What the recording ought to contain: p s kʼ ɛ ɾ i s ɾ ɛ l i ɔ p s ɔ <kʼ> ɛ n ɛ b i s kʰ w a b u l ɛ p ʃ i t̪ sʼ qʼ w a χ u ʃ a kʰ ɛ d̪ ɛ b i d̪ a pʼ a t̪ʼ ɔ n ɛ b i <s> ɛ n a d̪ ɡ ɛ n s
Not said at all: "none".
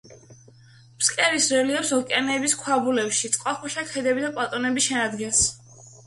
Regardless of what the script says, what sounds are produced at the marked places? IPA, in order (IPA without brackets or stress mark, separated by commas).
kʼ, ʃ